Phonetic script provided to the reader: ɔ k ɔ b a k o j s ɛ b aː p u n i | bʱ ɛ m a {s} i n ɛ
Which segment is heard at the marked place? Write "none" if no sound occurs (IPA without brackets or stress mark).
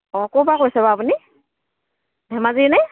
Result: z